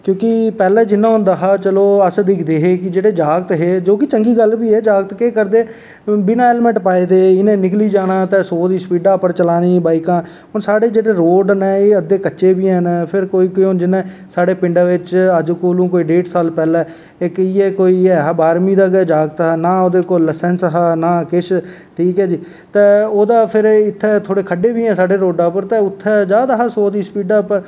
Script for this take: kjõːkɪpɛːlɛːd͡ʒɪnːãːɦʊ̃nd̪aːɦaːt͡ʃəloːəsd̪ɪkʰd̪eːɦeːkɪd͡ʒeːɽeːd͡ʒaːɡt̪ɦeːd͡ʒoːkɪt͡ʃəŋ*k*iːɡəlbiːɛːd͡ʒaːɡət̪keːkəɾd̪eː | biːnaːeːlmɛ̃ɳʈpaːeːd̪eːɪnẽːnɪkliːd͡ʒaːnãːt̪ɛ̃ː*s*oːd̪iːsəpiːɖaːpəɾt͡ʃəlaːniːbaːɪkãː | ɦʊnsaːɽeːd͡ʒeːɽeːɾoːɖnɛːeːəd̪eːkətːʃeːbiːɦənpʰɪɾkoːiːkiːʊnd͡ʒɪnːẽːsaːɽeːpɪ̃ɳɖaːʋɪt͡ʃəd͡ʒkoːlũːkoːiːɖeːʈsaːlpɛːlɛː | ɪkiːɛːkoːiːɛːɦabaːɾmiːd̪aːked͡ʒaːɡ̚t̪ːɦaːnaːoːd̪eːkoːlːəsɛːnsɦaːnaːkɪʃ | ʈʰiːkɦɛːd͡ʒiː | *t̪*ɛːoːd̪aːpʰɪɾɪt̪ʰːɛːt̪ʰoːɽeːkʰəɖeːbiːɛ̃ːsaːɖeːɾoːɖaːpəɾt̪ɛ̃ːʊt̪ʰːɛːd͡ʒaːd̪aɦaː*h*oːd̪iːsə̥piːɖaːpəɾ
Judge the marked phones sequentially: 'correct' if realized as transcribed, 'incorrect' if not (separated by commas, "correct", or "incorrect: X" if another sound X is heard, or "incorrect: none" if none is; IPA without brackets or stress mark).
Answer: incorrect: ɡ, correct, correct, incorrect: s